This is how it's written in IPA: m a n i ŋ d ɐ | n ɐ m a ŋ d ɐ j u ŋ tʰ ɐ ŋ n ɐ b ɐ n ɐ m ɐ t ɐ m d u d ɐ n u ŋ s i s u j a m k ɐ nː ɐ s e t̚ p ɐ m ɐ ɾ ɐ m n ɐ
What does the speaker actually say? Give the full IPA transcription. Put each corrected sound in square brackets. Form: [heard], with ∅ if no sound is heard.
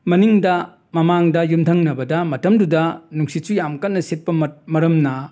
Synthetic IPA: m [ɐ] n i ŋ d ɐ | [m] ɐ m a ŋ d ɐ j u [m] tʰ ɐ ŋ n ɐ b ɐ [d] ɐ m ɐ t ɐ m d u d ɐ n u ŋ s i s u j a m k ɐ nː ɐ s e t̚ p ɐ m ɐ ɾ ɐ m n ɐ